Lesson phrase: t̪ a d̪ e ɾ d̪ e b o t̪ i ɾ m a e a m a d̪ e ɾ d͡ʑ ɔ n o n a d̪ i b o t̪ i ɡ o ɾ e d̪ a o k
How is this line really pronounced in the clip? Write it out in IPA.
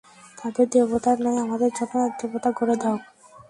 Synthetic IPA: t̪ a d̪ e ɾ d̪ e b o t̪ a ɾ n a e a m a d̪ e ɾ d͡ʑ ɔ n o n a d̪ e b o t̪ a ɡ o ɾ e d̪ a o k